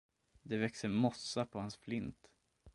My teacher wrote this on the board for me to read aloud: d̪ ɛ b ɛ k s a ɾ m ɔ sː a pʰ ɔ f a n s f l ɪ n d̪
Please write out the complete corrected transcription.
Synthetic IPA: d̪ ɛ v ɛ k s ə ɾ m ɔ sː a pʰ ɔ h a n s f l ɪ n t̪